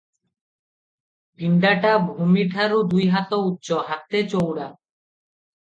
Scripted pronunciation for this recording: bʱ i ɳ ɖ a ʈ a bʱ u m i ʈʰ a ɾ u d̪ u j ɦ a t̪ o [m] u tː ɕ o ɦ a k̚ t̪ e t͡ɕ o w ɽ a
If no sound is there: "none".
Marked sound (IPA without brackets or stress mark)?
none